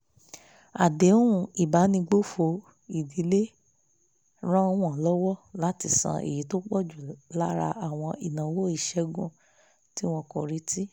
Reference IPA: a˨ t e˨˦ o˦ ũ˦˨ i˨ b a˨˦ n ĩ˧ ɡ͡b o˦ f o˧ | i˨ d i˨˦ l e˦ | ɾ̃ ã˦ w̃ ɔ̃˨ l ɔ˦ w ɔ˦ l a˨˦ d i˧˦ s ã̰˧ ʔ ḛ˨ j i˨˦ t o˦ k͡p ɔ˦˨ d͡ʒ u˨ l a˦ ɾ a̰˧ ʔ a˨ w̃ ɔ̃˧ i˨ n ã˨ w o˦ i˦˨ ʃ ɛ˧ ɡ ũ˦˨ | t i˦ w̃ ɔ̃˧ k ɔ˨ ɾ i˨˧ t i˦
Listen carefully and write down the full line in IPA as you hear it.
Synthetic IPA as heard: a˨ d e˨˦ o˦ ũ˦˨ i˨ b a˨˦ n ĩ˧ ɡ͡b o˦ f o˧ | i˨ d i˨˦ l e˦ | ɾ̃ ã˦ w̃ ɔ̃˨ l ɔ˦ w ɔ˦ l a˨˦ t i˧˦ s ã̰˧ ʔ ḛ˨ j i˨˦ t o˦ k͡p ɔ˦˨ d͡ʒ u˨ l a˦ ɾ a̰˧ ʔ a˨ w̃ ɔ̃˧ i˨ n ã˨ w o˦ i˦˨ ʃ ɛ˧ ɡ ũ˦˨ | t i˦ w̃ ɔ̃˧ k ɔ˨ ɾ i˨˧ t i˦

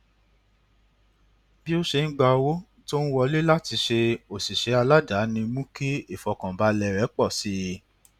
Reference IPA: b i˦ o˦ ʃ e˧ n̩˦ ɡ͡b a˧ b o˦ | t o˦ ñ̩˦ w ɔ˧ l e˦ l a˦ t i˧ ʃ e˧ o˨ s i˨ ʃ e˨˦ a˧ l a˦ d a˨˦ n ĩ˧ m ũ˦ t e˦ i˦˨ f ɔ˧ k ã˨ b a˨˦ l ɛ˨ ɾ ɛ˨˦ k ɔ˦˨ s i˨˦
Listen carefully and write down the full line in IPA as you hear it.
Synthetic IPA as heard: b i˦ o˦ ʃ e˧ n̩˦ ɡ͡b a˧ w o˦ | t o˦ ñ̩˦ w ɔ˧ l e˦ l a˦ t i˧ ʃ e˧ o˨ s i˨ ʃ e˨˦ a˧ l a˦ d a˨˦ n ĩ˧ m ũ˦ k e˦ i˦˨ f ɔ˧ k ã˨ b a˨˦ l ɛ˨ ɾ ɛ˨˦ k͡p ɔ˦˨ s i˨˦

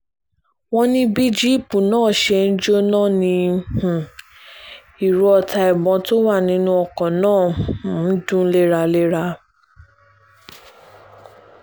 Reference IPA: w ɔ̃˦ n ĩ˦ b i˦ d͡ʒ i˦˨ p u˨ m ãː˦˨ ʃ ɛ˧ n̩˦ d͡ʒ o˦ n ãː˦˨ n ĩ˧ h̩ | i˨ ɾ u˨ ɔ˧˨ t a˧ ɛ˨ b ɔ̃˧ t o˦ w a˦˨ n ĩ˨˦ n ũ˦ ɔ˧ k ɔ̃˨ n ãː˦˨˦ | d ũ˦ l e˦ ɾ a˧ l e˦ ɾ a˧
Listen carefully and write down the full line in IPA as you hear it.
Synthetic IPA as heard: w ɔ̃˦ n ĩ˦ b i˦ d͡ʒ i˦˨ p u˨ n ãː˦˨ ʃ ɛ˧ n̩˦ d͡ʒ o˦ n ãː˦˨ n ĩ˧ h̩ | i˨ ɾ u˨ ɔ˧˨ t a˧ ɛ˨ b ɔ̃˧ t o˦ w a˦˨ n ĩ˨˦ n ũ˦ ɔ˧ k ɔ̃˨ n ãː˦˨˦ | d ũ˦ l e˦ ɾ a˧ l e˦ ɾ a˧

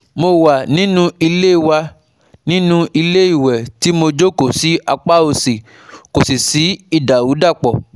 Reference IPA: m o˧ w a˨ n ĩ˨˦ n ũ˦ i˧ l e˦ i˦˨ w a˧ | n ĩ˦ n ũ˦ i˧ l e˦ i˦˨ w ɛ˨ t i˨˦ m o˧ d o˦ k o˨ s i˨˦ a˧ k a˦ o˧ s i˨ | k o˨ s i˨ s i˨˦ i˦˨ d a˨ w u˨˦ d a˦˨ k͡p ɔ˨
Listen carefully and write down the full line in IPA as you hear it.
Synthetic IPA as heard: m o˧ w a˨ n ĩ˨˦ n ũ˦ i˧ l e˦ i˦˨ w a˧ | n ĩ˦ n ũ˦ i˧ l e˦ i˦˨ w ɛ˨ t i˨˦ m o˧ d͡ʒ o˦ k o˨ s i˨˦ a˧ k͡p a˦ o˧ s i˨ | k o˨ s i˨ s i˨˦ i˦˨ d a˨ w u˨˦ d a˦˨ k͡p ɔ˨

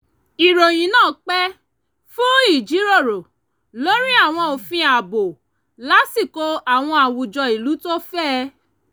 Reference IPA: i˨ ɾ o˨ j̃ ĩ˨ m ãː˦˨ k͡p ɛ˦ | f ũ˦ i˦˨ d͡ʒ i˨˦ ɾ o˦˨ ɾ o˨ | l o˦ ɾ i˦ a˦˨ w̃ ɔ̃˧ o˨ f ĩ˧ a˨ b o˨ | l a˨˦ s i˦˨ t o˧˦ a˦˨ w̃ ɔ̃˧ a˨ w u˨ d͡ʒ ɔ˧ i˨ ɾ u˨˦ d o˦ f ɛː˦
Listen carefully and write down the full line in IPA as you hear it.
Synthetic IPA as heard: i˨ ɾ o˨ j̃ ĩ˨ n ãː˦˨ k͡p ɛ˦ | f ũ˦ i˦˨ d͡ʒ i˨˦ ɾ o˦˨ ɾ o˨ | l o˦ ɾ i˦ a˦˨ w̃ ɔ̃˧ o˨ f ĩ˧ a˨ b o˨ | l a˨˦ s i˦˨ k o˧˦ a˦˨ w̃ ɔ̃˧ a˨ w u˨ d͡ʒ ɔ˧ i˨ l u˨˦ t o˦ f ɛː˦

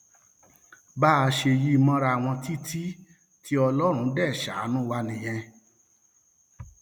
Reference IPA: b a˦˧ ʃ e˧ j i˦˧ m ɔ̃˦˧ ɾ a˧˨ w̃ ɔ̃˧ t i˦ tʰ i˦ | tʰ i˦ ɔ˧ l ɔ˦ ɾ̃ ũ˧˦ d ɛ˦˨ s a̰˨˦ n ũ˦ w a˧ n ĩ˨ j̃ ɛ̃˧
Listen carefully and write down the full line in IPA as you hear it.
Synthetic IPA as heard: b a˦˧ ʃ e˧ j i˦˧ m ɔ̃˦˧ ɾ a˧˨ w̃ ɔ̃˧ t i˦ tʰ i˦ | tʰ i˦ ɔ˧ l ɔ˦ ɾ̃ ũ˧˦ d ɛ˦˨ ʃ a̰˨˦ n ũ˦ w a˧ n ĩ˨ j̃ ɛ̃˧

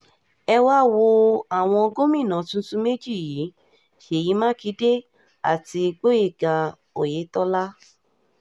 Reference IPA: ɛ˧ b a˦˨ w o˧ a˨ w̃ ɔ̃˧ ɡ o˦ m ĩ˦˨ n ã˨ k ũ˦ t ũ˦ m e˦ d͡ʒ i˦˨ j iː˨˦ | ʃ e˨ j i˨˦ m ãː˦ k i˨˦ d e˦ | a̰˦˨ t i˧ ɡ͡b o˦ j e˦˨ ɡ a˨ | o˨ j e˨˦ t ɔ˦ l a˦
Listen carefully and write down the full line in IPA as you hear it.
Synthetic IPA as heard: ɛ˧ w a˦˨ w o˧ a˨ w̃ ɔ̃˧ ɡ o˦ m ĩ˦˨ n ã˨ t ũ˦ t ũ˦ m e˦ d͡ʒ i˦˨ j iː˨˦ | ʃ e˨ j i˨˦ m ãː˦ k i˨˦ d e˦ | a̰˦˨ t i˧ ɡ͡b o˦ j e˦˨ ɡ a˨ | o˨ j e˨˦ t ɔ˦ l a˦

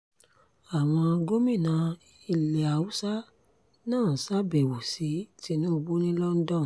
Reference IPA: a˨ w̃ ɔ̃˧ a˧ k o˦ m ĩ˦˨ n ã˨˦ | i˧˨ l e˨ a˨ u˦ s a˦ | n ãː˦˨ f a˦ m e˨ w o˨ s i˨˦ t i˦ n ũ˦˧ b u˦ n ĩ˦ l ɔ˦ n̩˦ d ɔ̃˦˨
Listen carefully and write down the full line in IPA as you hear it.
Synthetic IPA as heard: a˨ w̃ ɔ̃˧ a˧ ɡ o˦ m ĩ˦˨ n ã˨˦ | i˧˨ l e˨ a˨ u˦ s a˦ | n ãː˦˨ s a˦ b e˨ w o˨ s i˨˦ t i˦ n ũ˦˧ b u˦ n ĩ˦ l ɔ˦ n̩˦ d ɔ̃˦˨

